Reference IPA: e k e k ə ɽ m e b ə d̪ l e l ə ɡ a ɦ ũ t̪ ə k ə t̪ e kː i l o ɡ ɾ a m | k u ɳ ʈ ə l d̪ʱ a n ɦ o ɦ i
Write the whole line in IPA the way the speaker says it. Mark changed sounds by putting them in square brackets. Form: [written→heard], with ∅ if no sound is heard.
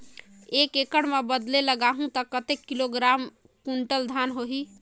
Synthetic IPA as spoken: e k e k ə ɽ m e b ə d̪ l e l ə ɡ a ɦ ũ t̪ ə k ə t̪ e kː i l o ɡ ɾ a m | k u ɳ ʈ ə l d̪ʱ a n ɦ o ɦ i